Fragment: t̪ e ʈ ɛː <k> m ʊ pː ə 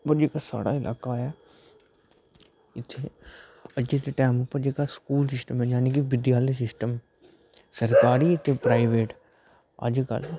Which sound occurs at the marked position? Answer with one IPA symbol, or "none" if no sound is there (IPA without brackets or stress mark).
none